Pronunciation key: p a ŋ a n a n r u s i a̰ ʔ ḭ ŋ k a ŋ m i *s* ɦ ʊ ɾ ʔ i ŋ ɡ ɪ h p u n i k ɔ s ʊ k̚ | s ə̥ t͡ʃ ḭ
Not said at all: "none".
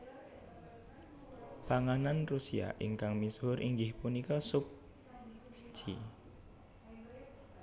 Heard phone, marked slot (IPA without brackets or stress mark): s